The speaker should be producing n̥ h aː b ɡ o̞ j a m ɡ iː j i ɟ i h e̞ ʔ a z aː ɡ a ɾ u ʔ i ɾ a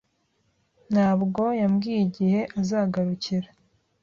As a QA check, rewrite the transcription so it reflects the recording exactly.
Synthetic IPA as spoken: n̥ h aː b ɡ o̞ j a m ɡ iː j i ɟ i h e̞ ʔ a z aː ɡ a ɾ u c i ɾ a